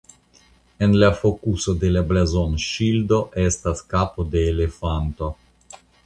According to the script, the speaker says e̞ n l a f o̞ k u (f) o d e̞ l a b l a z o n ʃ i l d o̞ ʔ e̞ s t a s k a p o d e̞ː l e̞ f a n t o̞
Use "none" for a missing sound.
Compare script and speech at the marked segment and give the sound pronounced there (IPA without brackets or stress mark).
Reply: s